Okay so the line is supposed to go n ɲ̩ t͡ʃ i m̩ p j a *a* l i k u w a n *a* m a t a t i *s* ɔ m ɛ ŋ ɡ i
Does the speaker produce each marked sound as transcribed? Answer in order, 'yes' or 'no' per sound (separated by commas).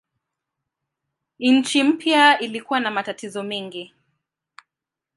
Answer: no, yes, no